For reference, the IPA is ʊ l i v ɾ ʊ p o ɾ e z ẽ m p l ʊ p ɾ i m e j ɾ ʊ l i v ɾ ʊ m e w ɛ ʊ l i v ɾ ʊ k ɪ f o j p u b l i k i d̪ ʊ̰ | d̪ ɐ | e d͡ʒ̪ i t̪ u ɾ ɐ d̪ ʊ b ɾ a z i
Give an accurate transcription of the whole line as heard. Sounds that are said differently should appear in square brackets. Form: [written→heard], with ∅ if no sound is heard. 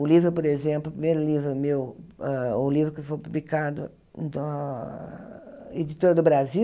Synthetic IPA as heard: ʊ l i v ɾ ʊ p o ɾ e z ẽ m p l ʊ p ɾ i m e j ɾ ʊ l i v ɾ ʊ m e w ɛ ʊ l i v ɾ ʊ k ɪ f o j p u b l i k [i→a] d̪ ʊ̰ | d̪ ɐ | e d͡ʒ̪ i t̪ [u→o] ɾ ɐ d̪ ʊ b ɾ a z i